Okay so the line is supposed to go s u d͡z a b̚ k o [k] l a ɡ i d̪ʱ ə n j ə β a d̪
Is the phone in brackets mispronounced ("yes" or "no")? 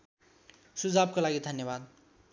yes